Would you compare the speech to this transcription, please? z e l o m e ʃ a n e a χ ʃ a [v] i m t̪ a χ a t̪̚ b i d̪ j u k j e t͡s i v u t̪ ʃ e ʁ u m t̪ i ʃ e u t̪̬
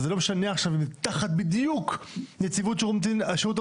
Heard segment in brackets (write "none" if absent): v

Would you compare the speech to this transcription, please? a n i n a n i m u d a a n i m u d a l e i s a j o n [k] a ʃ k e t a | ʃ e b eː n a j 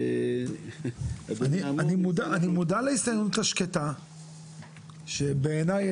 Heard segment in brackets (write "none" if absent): t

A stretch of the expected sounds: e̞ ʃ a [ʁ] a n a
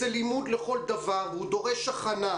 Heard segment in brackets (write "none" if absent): χ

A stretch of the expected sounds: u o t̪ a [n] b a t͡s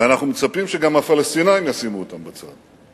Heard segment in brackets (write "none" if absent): m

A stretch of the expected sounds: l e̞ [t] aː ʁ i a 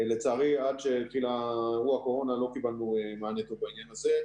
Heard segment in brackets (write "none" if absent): t͡s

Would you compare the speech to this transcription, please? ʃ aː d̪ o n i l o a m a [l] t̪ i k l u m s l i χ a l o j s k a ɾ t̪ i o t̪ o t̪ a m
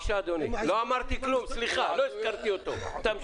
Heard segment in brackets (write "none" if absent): ɾ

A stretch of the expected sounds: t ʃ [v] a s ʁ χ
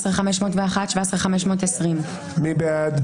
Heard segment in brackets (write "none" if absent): v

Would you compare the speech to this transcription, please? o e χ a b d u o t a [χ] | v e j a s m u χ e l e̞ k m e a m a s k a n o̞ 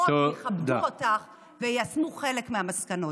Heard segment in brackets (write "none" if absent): χ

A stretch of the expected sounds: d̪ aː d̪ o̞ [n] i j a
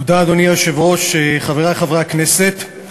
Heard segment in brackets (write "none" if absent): n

